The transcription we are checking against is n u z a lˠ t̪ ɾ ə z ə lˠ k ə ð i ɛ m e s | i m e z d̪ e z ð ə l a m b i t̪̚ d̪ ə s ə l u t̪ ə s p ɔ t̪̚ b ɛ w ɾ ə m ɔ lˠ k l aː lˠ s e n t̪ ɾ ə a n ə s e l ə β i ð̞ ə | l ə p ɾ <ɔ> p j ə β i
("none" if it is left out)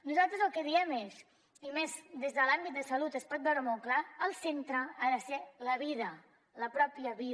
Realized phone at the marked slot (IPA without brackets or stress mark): ɔ